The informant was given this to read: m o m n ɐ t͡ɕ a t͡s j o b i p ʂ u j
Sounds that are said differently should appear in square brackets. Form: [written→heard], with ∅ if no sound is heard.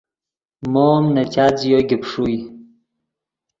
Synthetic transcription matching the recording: m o m n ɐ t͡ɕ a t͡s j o [b→ɡ] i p ʂ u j